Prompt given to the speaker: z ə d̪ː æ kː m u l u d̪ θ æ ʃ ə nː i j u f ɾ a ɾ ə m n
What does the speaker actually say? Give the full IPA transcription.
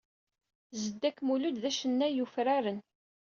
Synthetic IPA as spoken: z ə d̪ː æ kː m u l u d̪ ð æ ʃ ə nː æ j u f ɾ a ɾ ə n

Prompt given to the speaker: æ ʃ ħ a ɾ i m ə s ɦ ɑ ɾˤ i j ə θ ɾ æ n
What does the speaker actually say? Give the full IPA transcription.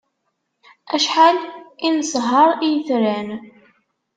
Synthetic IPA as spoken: æ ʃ ħ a l i n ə s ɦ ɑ ɾˤ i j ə θ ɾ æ n

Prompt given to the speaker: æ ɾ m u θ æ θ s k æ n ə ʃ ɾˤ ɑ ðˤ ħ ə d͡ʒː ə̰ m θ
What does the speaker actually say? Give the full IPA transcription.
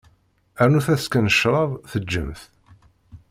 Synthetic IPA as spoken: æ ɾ n u θ æ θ s k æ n ə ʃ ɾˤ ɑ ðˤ θ ə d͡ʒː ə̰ m θ

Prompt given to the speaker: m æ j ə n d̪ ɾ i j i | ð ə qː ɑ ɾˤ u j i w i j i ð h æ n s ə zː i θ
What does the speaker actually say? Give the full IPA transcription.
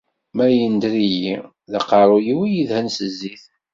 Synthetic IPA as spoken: m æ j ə n d̪ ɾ i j i | ð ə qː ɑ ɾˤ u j i w i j i ð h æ n s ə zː i θ

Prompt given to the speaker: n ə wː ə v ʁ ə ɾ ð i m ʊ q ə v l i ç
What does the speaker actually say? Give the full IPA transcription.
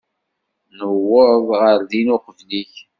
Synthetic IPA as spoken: n ə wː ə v ʁ ə ɾ ð i n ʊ q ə v l i ç

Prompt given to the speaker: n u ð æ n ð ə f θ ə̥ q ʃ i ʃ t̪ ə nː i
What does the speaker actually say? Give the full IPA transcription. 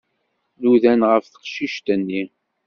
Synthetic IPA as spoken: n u ð æ n ʁ ə f θ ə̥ q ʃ i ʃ t̪ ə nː i

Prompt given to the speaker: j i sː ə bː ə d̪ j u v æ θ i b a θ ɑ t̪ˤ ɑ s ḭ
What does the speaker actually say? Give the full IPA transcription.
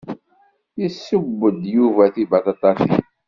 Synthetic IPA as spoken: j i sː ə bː ə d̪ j u v æ θ i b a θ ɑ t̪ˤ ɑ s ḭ

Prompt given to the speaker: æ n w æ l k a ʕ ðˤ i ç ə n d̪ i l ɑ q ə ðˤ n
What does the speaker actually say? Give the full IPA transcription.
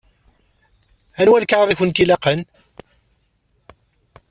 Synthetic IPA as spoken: æ n w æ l k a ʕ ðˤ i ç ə n t̪ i l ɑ q ə n

